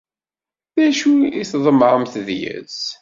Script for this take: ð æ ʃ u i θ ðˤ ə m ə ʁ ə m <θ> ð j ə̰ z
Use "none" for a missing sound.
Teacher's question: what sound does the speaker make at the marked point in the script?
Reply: θ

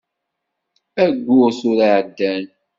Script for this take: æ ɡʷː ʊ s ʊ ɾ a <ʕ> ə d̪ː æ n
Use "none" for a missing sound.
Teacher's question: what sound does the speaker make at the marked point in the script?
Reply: ʕ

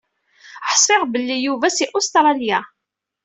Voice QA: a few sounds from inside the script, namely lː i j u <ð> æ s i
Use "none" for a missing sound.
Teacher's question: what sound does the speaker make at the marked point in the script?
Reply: v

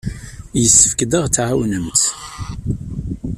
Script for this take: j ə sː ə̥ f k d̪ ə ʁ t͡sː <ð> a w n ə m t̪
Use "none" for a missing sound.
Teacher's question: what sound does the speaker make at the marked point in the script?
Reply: ʕ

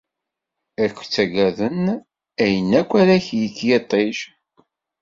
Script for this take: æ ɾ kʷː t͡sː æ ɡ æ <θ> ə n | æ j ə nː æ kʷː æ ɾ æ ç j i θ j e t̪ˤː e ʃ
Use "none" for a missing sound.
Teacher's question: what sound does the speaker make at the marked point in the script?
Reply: ð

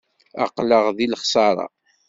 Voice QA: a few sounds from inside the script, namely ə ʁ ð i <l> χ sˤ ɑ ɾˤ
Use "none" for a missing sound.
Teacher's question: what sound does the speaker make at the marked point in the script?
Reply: l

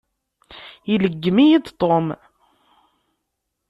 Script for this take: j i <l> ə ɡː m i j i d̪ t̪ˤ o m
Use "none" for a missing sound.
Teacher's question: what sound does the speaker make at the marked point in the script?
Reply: l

